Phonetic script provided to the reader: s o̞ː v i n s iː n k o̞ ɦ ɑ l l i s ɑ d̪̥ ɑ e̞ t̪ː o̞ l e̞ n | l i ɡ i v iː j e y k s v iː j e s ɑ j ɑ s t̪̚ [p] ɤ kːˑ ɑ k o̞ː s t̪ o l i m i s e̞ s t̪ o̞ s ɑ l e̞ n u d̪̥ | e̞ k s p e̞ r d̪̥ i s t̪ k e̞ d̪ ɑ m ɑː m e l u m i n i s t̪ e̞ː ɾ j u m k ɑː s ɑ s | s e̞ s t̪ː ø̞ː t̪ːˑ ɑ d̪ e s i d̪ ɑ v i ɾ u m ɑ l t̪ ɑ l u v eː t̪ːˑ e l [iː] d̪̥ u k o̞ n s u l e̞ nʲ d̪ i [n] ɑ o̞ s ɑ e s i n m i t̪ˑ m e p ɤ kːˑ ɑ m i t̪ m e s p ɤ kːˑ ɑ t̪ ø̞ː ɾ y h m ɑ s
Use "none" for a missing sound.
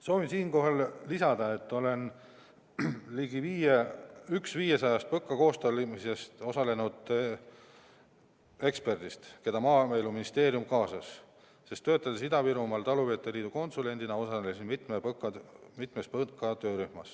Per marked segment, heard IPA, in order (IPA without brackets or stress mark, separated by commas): p, iː, n